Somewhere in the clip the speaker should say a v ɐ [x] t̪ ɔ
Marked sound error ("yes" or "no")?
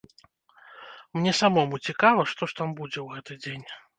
yes